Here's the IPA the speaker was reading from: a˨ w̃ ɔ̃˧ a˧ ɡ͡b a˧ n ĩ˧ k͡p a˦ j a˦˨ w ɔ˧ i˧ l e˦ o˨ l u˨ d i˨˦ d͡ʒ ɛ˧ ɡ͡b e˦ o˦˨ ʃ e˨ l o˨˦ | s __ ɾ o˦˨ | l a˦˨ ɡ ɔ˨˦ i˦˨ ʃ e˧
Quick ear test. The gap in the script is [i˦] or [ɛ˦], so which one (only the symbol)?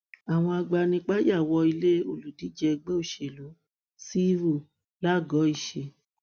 i˦